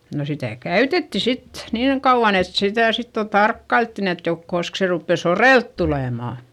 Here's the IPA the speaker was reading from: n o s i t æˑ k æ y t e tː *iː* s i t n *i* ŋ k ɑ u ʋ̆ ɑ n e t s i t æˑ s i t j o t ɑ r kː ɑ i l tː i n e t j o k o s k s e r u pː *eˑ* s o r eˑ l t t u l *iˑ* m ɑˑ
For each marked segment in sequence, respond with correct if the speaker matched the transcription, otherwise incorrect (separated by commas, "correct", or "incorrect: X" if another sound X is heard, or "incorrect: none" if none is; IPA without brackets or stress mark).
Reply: incorrect: i, incorrect: iː, correct, incorrect: eˑ